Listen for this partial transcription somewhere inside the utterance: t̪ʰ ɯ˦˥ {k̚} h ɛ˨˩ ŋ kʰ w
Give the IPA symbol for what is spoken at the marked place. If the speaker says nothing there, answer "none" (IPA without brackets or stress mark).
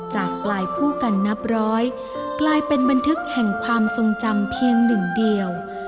k̚